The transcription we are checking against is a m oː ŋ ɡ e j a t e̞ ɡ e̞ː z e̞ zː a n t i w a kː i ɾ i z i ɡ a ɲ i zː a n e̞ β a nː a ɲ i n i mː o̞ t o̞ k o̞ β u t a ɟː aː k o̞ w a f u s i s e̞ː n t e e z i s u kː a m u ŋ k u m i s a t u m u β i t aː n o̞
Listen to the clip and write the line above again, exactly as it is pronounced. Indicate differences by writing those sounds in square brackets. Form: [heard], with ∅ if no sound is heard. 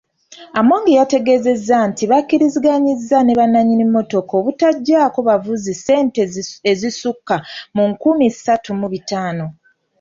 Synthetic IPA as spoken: a m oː ŋ ɡ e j a t e̞ ɡ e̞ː z e̞ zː a n t i [β] a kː i ɾ i z i ɡ a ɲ i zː a n e̞ β a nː a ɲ i n i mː o̞ t o̞ k o̞ β u t a ɟː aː k o̞ [β] a [v] u [z] i s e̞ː n t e e z i s u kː a m u ŋ k u m i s a t u m u β i t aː n o̞